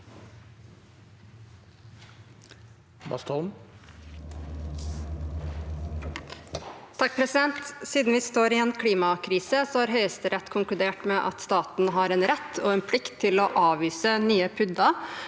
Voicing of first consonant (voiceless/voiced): voiced